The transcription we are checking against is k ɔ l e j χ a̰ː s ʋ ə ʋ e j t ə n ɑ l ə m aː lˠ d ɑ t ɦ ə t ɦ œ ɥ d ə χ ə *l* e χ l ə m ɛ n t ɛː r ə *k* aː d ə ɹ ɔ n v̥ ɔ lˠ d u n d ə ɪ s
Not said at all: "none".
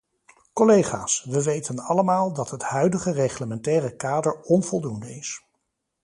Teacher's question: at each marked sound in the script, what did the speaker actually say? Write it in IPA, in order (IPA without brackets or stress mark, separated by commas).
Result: r, k